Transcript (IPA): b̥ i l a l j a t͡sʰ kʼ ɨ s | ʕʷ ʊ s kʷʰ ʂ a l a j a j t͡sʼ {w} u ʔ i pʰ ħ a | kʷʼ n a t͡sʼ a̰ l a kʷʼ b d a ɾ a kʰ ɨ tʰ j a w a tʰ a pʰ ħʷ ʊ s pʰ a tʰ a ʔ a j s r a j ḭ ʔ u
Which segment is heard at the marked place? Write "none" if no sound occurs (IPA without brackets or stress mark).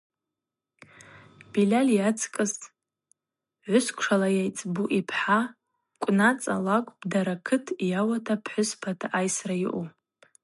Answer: b